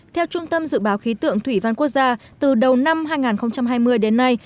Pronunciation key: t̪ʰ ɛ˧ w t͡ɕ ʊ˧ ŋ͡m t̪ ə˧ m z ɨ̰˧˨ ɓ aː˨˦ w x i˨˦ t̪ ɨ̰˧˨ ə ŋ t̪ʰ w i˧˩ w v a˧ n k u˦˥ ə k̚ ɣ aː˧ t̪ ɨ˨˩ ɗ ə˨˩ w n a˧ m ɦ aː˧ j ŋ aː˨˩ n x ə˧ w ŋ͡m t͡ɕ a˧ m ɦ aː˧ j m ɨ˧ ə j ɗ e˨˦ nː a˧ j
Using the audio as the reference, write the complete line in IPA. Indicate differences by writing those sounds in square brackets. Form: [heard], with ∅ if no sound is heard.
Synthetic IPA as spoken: t̪ʰ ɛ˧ w t͡ɕ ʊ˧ ŋ͡m t̪ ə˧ m z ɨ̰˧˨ ɓ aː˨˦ w x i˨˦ t̪ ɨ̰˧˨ ə ŋ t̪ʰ w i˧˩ [∅] v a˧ n k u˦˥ ə k̚ [z] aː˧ t̪ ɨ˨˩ ɗ ə˨˩ w n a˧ m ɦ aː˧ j ŋ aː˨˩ n x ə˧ w ŋ͡m t͡ɕ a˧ m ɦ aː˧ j m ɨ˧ ə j ɗ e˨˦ nː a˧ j